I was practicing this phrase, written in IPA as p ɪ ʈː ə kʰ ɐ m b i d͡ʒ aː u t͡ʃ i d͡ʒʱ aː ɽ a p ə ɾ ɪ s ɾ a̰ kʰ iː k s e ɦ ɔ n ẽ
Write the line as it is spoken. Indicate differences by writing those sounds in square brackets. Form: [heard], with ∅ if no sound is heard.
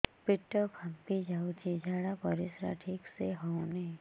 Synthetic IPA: p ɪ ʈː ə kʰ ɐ m [p] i d͡ʒ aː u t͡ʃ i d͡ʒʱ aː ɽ a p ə ɾ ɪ s ɾ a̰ [ʈʰ] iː k s e ɦ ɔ n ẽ